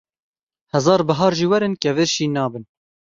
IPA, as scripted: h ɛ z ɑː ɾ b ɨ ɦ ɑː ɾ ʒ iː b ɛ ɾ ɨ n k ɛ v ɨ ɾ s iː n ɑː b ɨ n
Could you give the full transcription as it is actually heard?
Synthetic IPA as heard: h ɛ z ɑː ɾ b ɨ ɦ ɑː ɾ ʒ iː w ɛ ɾ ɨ n k ɛ v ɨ ɾ ʃ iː n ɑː b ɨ n